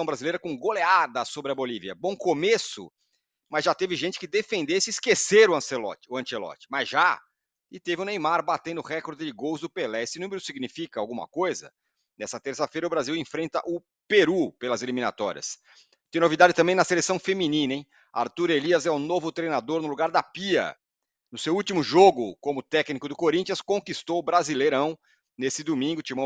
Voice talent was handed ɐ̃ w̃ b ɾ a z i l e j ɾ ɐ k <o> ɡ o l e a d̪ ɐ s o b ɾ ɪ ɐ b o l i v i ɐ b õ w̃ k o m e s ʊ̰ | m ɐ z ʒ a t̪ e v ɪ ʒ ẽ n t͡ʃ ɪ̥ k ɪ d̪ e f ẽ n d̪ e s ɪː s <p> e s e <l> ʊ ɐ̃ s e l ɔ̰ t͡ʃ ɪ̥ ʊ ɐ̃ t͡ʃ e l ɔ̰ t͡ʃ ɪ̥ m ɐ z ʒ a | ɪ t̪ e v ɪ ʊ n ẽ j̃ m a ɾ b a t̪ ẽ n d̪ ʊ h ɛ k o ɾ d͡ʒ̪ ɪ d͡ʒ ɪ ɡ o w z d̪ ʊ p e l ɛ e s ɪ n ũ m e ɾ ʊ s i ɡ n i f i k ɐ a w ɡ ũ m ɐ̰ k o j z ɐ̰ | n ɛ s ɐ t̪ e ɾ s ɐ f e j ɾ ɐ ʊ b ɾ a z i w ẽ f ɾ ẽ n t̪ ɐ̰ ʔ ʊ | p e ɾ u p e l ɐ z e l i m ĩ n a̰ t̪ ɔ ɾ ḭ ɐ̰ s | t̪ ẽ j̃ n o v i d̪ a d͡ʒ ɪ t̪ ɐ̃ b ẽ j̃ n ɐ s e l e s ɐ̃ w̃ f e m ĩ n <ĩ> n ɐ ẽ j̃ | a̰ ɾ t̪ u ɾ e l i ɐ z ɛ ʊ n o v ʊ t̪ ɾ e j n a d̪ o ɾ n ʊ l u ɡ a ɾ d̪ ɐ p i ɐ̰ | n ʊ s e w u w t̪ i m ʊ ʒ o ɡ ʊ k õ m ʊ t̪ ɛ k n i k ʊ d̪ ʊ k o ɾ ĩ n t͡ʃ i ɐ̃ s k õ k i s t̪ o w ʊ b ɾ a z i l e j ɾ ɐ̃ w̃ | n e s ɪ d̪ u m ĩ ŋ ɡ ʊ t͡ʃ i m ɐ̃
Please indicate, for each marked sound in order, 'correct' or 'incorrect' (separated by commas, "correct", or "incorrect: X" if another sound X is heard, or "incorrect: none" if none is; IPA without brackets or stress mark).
incorrect: õ, incorrect: k, incorrect: ɾ, correct